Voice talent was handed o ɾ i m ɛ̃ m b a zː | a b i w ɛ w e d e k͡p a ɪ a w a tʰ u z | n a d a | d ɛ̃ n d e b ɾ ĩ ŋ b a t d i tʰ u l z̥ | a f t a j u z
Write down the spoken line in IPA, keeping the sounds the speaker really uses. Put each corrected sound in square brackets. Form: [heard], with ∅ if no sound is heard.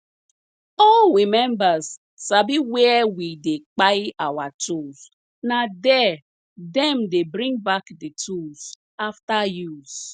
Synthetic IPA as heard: o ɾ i m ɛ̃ m b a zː | a b i w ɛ w [i] d e k͡p a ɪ a w a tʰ u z | n a d [ɛ] | d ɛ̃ [m] d e b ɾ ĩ ŋ b a [k] d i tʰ u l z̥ | a f t a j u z